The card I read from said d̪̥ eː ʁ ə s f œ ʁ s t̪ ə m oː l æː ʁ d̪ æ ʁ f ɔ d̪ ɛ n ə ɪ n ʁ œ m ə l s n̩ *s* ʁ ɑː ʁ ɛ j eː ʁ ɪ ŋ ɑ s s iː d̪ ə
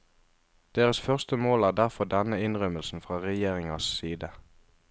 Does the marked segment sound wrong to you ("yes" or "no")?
yes